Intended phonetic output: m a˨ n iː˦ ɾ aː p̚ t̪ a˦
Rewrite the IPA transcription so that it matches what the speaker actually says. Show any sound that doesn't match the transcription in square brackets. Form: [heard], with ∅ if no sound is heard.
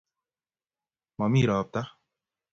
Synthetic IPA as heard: m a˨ [m] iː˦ ɾ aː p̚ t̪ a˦